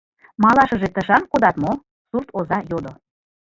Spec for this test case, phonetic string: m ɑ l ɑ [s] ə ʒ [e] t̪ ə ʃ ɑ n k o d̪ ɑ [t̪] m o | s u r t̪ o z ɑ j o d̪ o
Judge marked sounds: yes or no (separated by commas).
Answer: no, yes, yes